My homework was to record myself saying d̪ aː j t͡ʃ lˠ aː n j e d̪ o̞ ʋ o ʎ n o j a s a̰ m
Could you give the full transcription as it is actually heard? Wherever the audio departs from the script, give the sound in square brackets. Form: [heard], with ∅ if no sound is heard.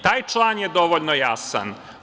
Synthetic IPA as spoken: [t̪] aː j t͡ʃ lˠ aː n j e d̪ o̞ ʋ o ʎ n o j a s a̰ [n]